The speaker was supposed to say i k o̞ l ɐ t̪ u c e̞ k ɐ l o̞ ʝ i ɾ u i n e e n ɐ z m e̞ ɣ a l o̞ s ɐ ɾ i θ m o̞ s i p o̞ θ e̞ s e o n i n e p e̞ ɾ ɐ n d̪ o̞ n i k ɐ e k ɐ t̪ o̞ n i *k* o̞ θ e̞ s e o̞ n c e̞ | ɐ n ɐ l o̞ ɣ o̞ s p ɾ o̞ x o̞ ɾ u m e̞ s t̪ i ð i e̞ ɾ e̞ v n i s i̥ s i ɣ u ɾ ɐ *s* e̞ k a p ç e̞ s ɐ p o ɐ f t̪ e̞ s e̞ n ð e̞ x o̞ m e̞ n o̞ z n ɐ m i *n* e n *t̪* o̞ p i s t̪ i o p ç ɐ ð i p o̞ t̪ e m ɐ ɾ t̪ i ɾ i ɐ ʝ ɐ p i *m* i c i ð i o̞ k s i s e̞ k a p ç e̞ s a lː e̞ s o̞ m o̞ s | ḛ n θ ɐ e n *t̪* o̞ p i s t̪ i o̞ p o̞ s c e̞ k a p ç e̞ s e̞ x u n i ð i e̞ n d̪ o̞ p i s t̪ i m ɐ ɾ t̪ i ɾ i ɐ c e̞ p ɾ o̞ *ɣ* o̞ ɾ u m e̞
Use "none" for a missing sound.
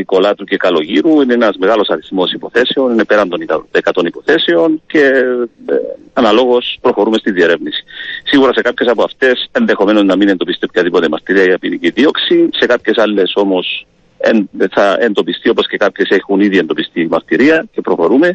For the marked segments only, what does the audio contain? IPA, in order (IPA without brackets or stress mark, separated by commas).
p, s, n, d̪, n, d̪, x